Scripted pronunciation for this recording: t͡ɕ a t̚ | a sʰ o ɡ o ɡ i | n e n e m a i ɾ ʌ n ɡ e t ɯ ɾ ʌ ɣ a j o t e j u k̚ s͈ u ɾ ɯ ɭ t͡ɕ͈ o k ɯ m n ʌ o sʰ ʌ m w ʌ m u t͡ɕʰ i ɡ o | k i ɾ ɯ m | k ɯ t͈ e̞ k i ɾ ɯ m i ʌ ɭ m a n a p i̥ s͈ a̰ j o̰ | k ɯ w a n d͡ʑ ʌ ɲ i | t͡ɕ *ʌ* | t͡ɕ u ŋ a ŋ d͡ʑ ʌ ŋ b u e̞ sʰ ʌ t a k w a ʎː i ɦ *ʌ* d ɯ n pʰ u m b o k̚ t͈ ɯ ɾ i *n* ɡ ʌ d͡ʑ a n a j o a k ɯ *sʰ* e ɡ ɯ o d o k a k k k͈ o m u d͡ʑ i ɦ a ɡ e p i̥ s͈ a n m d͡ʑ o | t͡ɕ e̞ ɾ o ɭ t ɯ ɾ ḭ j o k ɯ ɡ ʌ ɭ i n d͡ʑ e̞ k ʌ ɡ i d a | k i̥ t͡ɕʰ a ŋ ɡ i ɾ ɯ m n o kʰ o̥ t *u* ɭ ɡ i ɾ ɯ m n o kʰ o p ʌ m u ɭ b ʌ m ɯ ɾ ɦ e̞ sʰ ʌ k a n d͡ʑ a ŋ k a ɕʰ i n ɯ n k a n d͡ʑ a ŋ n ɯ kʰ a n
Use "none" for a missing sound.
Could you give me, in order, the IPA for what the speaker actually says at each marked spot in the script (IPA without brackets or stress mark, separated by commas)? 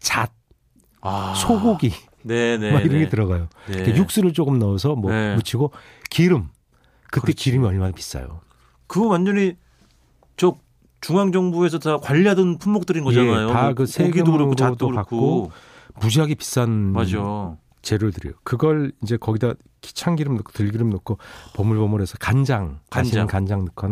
ʌ, a, n, sʰ, ɯ